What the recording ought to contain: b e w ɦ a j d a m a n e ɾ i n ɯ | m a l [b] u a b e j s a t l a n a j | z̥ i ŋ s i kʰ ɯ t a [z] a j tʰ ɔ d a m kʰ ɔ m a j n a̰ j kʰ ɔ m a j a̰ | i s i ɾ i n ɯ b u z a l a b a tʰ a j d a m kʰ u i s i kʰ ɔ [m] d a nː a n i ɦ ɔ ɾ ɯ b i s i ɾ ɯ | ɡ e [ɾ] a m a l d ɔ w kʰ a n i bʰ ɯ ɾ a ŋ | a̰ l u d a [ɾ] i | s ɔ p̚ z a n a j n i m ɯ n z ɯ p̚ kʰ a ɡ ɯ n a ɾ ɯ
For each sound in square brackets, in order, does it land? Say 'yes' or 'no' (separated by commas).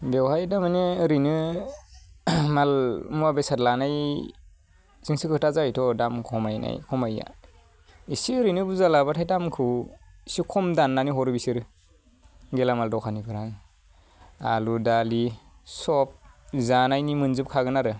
no, yes, yes, no, no